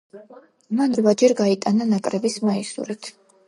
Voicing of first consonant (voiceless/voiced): voiced